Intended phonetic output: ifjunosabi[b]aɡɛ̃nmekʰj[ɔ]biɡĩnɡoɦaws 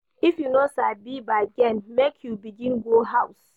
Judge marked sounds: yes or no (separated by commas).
yes, no